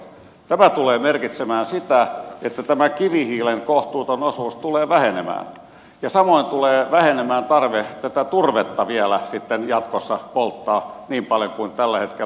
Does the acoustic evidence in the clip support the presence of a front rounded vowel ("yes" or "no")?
no